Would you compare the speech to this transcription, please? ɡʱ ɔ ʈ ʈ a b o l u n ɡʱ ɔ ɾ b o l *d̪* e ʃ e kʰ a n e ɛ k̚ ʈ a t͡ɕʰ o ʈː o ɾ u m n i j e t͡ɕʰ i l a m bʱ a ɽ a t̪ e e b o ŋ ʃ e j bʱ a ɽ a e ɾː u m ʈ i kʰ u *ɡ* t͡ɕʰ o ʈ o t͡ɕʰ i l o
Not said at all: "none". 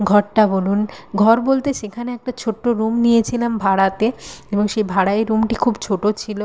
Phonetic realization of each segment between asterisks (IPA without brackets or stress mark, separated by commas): t̪, b